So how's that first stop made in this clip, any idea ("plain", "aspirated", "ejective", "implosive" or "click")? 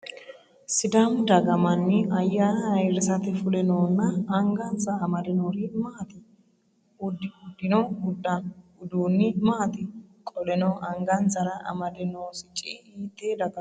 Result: plain